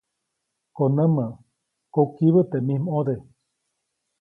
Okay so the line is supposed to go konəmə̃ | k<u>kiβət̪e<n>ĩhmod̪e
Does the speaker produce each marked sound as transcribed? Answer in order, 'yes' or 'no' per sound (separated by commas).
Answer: no, no